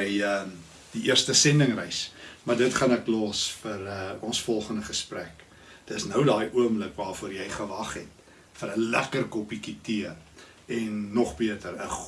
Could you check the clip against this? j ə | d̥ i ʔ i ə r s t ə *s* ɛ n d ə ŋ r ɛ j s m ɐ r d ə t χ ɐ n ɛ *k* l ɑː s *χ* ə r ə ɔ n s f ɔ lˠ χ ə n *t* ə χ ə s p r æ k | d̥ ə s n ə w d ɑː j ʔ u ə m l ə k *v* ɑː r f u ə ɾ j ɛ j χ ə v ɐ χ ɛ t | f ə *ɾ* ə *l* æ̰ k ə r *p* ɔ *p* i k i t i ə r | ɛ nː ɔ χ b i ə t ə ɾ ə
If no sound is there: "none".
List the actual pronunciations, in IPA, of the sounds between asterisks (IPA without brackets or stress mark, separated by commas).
s, k, f, d, v, ɾ, l, k, p